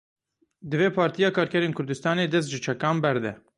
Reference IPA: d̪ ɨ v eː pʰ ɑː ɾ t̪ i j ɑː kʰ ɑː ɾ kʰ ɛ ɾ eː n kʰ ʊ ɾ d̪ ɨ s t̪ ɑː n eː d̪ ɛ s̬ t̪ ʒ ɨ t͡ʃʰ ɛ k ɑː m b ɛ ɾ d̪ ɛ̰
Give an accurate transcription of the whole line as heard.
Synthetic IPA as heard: d̪ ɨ v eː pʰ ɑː ɾ t̪ i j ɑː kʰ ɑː ɾ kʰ ɛ ɾ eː n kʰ ʊ ɾ d̪ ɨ s t̪ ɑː n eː d̪ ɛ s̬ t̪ ʒ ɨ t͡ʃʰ ɛ k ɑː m b ɛ ɾ d̪ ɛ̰